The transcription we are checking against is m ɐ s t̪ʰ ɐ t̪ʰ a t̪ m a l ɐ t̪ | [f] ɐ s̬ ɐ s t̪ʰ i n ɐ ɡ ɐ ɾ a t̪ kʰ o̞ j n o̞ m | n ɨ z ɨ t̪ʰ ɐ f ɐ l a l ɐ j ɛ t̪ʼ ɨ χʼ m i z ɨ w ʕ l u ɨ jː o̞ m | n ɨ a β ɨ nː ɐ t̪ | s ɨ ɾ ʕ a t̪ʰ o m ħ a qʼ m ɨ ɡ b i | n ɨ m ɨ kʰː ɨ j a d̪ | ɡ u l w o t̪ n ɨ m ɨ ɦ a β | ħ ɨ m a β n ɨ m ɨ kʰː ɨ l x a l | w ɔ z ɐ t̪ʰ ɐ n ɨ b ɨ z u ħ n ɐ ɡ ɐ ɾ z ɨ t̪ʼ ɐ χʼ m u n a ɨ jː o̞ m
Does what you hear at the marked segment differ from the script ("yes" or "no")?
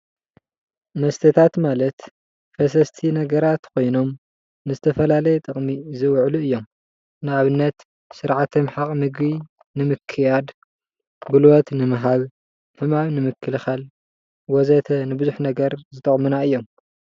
no